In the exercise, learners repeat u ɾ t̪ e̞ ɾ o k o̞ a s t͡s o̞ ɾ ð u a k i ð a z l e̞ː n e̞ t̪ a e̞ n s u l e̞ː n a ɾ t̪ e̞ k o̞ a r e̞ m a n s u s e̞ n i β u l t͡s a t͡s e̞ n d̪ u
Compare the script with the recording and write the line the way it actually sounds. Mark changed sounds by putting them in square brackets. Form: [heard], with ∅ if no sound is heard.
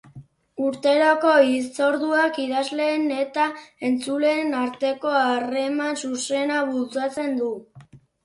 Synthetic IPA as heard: u ɾ t̪ e̞ ɾ o k o̞ [i] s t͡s o̞ ɾ ð u a k i ð a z l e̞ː n e̞ t̪ a e̞ n [t͡s] u l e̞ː n a ɾ t̪ e̞ k o̞ a r e̞ m a n s u s e̞ n [a] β u l t͡s a t͡s e̞ n d̪ u